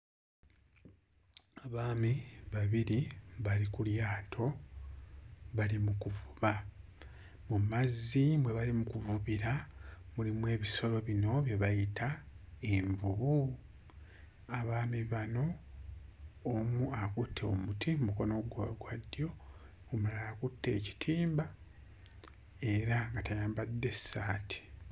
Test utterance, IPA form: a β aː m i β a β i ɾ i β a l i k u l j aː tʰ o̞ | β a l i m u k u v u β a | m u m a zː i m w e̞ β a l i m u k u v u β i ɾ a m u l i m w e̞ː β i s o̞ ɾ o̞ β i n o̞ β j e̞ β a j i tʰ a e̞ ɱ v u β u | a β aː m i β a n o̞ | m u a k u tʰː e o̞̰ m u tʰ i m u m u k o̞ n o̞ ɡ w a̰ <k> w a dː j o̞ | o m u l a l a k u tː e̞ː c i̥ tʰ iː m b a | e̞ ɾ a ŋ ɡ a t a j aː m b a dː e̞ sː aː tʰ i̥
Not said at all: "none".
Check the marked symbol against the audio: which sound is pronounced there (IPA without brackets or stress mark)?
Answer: ɡ